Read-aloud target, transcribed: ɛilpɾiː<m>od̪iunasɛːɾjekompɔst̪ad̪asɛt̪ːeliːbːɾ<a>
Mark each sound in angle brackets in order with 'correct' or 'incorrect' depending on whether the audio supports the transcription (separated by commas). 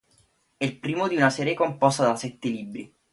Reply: correct, incorrect